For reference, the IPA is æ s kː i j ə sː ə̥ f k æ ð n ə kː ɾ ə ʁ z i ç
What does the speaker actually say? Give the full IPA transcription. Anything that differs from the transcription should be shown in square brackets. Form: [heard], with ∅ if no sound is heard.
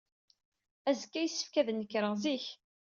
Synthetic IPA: æ [z] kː [æ] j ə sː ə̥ f k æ ð n ə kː ɾ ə ʁ z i ç